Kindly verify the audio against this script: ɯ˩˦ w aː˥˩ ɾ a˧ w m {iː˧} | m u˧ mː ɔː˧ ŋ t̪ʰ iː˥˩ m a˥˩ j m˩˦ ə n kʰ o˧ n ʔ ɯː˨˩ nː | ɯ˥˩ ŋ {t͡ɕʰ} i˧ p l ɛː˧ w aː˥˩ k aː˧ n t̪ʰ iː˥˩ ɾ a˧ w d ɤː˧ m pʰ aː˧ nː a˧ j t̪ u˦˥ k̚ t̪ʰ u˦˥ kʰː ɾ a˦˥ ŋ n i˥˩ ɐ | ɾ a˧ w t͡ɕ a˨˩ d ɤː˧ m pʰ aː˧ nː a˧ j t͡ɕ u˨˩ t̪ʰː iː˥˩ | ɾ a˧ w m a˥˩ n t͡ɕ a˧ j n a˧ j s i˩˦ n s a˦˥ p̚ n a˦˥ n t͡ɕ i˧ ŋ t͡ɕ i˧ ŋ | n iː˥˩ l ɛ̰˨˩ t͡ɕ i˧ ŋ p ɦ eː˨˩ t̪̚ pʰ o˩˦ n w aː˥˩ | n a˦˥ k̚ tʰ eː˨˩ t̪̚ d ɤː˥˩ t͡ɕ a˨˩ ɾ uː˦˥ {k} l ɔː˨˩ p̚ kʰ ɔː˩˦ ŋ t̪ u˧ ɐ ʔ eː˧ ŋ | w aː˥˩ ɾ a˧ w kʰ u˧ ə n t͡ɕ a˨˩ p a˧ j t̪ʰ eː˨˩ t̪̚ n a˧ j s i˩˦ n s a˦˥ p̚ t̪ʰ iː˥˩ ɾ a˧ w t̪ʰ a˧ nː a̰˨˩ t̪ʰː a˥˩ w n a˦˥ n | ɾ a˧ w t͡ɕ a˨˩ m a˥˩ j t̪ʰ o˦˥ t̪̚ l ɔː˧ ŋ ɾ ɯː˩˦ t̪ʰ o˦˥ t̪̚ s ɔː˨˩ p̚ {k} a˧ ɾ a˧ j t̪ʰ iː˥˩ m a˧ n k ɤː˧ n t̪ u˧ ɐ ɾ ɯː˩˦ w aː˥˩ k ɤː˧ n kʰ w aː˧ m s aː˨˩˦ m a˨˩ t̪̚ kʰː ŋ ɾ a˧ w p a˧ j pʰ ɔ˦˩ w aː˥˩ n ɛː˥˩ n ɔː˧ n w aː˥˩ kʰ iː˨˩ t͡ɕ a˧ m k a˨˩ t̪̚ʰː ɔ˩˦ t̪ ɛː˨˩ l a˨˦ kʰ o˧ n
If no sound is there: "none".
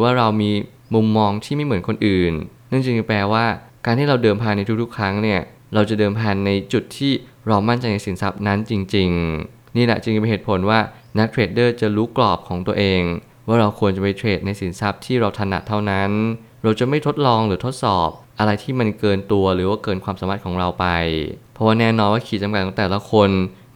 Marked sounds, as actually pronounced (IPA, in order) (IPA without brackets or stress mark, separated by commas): iː˧, t͡ɕ, k, ʔ